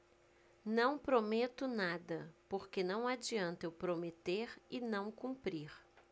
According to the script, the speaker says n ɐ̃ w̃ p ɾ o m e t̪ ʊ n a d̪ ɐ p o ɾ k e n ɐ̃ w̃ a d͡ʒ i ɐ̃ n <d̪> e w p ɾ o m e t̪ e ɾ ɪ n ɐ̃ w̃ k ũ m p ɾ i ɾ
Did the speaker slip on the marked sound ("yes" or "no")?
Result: yes